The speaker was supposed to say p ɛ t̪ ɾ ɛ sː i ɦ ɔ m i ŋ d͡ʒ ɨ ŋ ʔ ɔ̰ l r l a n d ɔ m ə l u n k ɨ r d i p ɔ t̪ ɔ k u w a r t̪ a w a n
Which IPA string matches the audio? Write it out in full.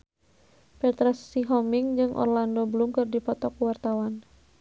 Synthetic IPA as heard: p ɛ t̪ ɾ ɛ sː i ɦ ɔ m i ŋ d͡ʒ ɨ ŋ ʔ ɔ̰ r l a n d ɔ b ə l u m k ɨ r d i p ɔ t̪ ɔ k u w a r t̪ a w a n